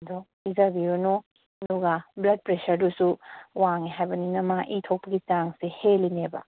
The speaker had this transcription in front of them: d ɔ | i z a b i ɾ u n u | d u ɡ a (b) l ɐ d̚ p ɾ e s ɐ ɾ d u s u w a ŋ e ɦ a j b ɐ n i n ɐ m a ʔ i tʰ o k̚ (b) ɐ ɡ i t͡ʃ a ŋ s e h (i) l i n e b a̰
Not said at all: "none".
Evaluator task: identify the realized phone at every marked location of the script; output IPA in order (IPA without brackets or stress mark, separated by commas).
b, p, e